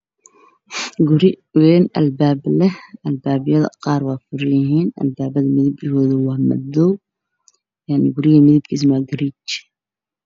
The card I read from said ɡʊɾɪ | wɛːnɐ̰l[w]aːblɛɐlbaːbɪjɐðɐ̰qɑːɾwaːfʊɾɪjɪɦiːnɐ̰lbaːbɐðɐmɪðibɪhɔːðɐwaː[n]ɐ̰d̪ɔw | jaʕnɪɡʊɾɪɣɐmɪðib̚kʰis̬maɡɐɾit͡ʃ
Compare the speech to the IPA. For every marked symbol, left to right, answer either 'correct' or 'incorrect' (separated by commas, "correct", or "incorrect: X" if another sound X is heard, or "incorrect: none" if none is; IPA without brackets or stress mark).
incorrect: b, incorrect: m